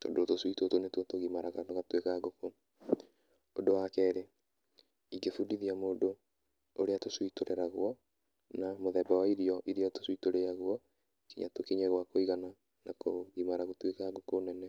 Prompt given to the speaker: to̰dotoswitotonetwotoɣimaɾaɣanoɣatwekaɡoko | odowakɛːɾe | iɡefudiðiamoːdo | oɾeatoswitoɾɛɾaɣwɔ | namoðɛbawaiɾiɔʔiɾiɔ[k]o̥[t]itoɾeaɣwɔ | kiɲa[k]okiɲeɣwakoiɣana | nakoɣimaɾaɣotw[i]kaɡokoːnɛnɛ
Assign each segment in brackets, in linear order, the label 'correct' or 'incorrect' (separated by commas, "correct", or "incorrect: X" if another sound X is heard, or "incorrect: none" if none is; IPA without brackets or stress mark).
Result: incorrect: t, incorrect: s, incorrect: t, incorrect: e